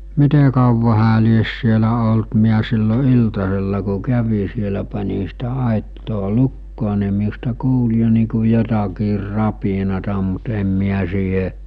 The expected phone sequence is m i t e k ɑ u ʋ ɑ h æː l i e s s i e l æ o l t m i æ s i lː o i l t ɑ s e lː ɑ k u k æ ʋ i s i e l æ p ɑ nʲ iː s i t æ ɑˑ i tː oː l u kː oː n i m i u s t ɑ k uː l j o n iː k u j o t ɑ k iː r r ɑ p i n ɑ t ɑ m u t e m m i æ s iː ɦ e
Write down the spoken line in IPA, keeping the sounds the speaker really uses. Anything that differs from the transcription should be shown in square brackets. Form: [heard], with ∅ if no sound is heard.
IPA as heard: m i t e k ɑ u ʋ ɑ h æː l i e s s i e l æ o l t m i æ s i lː o i l t ɑ s e lː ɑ k u k æ ʋ i s i e l æ p ɑ nʲ [i] s i t æ ɑˑ i tː oː l u kː oː n i m i u s t ɑ k uː l j o n iː k u j o t ɑ k iː r r ɑ p i n ɑ t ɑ m u t e m m i æ s iː ɦ e